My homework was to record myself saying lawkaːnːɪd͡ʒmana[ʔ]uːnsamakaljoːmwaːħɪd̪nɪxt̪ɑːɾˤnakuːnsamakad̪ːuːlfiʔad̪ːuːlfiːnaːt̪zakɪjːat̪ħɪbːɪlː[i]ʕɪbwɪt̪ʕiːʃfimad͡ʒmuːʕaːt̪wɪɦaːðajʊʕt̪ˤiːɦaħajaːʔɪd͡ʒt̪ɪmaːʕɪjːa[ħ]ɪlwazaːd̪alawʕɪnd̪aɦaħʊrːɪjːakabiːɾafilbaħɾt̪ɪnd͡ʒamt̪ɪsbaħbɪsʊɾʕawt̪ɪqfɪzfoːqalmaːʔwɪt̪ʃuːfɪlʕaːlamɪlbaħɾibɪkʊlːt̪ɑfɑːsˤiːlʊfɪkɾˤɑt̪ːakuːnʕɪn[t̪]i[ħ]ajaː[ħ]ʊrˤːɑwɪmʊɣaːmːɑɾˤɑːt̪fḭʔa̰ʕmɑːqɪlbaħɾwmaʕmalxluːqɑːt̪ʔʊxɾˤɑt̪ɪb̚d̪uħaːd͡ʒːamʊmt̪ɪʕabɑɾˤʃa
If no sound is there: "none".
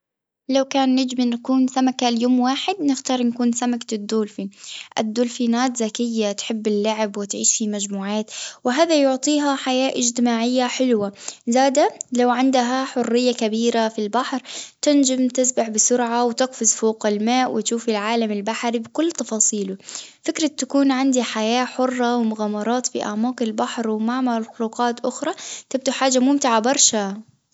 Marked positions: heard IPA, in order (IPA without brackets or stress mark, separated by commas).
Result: k, a, ħ, d̪, ħ, ħ